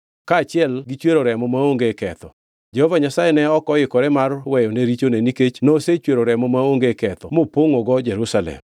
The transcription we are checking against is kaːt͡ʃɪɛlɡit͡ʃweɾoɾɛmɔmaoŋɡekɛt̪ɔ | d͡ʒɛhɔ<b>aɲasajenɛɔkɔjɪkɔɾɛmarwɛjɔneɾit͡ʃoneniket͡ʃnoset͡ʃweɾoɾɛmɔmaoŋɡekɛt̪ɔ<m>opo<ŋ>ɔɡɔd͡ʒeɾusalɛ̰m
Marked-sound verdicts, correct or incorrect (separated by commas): incorrect, correct, correct